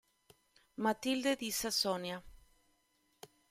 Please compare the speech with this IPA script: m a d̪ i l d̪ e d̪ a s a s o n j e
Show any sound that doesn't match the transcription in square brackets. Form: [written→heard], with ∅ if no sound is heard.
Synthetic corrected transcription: m a [d̪→t̪] i l d̪ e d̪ [a→i] s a s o n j [e→a]